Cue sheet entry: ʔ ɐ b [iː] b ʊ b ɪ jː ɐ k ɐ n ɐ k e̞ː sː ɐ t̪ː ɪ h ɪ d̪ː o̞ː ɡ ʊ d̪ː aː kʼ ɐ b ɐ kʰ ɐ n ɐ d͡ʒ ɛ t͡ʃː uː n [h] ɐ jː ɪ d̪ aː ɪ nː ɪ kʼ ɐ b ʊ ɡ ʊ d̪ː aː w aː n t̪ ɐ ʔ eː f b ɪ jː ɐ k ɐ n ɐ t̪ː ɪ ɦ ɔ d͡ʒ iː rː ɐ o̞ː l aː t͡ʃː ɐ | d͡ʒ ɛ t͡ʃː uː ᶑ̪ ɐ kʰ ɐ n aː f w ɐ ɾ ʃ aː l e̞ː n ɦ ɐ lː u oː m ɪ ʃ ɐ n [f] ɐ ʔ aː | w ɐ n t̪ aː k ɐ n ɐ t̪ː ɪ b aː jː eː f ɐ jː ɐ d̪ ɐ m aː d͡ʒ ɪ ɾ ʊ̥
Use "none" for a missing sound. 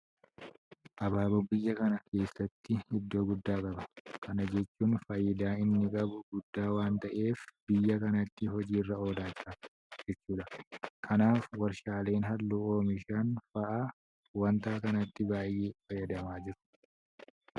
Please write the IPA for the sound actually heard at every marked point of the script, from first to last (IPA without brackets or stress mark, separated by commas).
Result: aː, f, f